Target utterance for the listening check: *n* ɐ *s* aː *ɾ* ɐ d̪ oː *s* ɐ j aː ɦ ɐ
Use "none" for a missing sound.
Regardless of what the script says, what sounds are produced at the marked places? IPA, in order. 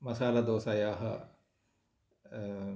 m, s, l, s

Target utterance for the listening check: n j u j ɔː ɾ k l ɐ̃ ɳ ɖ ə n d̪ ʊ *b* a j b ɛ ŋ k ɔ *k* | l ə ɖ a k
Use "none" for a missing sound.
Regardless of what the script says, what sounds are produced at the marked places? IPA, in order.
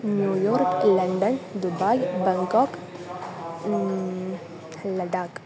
b, k

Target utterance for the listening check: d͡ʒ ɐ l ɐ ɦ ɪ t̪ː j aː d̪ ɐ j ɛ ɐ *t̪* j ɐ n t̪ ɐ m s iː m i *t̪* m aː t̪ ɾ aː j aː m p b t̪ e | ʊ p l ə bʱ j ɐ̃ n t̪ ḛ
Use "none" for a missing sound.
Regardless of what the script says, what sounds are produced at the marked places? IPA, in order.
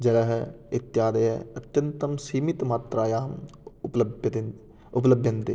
t̪, t̪

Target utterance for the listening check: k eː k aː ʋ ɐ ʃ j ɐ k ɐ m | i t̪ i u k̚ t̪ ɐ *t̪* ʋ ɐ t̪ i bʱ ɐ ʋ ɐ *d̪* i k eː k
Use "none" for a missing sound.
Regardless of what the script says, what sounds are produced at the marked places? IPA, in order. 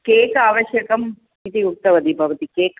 none, t̪

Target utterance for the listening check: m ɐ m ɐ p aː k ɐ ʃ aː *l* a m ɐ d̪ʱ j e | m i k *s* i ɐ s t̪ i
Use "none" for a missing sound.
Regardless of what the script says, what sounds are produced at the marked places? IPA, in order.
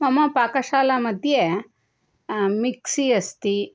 l, s

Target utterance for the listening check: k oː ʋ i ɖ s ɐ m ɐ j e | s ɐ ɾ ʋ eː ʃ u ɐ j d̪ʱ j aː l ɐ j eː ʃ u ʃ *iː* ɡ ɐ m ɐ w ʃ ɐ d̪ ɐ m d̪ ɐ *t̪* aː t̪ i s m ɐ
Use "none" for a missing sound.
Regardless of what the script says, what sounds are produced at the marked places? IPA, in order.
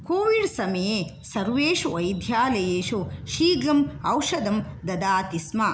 iː, d̪

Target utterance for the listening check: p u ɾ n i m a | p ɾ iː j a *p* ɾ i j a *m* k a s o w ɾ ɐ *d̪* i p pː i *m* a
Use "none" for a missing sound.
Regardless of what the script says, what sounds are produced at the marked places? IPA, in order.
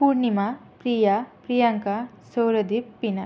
p, ŋ, d̪, n

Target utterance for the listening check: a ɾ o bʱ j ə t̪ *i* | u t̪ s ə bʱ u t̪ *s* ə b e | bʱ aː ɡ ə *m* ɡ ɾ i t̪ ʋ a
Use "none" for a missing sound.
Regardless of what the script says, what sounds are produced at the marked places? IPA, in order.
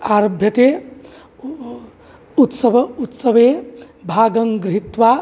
e, s, ŋ

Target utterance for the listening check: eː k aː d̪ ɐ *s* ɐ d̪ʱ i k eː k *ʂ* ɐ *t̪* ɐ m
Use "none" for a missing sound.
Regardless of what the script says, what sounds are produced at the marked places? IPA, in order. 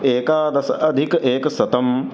s, s, t̪

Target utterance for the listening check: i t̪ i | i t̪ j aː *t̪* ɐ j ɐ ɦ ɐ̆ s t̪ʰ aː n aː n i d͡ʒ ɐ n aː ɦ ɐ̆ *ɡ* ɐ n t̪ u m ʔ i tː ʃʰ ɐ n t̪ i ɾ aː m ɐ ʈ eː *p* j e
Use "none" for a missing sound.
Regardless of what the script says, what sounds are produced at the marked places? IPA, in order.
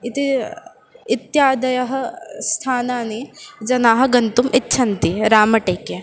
d̪, ɡ, k

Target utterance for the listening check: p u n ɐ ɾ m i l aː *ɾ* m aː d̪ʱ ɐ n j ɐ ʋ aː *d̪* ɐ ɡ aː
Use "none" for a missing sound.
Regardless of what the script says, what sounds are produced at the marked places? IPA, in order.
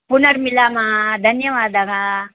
none, d̪

